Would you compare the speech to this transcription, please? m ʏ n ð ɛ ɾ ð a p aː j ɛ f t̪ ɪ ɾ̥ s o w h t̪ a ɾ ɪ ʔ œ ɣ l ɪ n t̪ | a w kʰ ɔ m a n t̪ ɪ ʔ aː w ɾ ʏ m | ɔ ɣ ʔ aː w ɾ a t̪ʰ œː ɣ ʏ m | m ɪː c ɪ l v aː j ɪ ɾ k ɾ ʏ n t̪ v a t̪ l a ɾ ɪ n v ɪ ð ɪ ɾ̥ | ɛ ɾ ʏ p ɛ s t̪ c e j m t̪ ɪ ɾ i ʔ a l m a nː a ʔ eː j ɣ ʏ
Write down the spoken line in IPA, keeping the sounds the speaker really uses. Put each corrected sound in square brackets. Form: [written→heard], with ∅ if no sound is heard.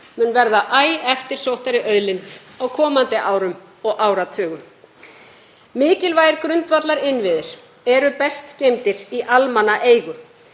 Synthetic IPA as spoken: m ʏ n [ð→v] ɛ ɾ ð a [p→ʔ] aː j ɛ f t̪ ɪ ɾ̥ s o w h t̪ a ɾ ɪ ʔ œ [ɣ→ð] l ɪ n t̪ | a w kʰ [ɔ→ɔː] m a n t̪ ɪ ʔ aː w ɾ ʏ m | ɔ ɣ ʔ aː w ɾ a t̪ʰ œː ɣ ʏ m | m ɪː c ɪ l v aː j ɪ ɾ k ɾ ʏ n t̪ v a t̪ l a ɾ ɪ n v ɪ ð ɪ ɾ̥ | ɛ ɾ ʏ p ɛ s t̪ c e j m t̪ ɪ ɾ i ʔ a l m a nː a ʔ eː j ɣ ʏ